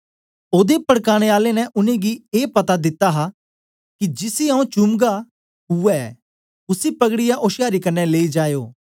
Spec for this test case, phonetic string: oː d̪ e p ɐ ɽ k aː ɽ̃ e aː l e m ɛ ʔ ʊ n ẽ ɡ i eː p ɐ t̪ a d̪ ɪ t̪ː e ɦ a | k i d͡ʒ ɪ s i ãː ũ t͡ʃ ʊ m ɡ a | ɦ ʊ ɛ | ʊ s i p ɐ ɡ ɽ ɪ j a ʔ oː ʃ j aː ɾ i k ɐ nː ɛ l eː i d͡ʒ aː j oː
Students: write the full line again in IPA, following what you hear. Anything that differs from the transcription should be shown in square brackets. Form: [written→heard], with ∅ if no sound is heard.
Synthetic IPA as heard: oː d̪ e p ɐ ɽ k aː ɽ̃ e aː l e [m→n] ɛ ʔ ʊ n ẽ ɡ i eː p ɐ t̪ a d̪ ɪ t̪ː [e→a] ɦ a | k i d͡ʒ ɪ s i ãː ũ t͡ʃ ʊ m ɡ a | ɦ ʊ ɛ | ʊ s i p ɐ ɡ ɽ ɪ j a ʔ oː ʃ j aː ɾ i k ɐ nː ɛ l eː i d͡ʒ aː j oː